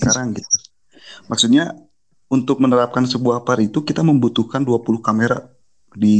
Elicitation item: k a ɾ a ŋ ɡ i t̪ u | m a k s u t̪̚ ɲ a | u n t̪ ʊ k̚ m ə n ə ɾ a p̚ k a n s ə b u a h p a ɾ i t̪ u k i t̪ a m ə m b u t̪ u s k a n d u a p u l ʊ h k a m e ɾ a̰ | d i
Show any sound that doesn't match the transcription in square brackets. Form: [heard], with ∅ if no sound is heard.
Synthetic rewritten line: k a ɾ a ŋ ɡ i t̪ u | m a k s u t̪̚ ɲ a | u n t̪ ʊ k̚ m ə n ə ɾ a p̚ k a n s ə b u a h p a ɾ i t̪ u k i t̪ a m ə m b u t̪ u [h] k a n d u a p u l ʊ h k a m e ɾ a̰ | d i